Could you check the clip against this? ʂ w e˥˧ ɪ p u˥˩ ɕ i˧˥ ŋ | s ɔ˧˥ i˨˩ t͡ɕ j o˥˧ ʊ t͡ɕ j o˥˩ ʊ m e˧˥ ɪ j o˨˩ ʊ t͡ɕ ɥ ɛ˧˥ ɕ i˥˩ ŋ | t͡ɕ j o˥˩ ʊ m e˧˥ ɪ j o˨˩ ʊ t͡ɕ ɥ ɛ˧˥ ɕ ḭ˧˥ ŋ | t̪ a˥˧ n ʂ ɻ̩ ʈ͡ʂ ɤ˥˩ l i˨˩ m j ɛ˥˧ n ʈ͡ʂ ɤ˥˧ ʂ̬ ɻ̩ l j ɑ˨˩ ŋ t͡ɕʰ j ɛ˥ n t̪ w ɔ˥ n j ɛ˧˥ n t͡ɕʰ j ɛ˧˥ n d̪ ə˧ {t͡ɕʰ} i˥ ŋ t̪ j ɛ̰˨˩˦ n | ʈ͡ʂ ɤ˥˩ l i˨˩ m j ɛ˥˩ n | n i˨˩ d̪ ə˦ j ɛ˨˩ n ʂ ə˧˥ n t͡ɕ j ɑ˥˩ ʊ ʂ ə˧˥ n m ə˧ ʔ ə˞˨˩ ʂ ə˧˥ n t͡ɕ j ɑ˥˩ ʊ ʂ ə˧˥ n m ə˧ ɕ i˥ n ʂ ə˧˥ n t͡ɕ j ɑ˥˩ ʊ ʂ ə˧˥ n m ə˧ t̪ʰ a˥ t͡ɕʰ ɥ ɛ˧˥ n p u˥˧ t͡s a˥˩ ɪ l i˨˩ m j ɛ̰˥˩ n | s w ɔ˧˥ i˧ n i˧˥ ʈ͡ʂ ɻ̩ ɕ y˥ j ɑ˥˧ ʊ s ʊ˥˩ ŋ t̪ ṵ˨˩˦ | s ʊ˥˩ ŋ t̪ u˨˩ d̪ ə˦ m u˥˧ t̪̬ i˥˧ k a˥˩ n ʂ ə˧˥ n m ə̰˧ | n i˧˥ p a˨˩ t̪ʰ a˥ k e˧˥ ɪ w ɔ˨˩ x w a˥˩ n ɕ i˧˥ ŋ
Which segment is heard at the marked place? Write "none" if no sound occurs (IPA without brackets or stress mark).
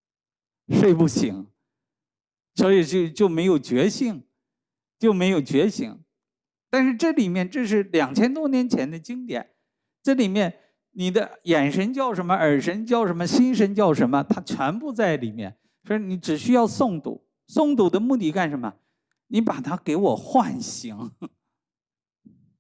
t͡ɕ